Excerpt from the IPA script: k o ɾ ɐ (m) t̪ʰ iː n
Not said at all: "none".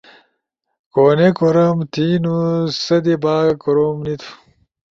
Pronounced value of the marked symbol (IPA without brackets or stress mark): m